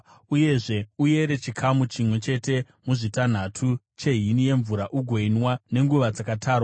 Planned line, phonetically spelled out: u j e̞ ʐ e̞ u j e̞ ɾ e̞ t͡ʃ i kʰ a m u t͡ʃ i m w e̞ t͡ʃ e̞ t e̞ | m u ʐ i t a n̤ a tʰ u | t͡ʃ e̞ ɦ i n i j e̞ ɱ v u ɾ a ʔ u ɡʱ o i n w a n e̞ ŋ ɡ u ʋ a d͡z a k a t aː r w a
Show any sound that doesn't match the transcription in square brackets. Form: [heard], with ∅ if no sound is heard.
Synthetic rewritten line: u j e̞ ʐ e̞ u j e̞ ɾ e̞ t͡ʃ i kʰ a m u t͡ʃ i m w e̞ t͡ʃ e̞ t e̞ | m u ʐ i t a n̤ a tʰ u | t͡ʃ e̞ ɦ i n i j e̞ ɱ v u ɾ a ʔ u ɡʱ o i n w a n e̞ ŋ ɡ u ʋ a d͡z a k a t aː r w a